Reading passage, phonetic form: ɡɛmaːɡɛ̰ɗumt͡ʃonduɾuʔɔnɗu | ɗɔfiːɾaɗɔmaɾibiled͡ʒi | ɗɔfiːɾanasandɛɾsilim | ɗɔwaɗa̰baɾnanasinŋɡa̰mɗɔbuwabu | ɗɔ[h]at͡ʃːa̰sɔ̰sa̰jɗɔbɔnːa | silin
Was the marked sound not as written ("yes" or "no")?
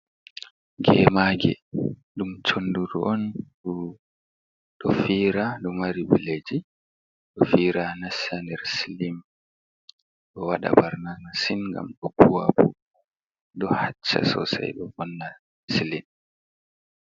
no